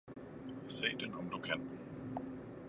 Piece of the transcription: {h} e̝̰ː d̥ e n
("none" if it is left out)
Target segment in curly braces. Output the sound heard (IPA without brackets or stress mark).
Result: s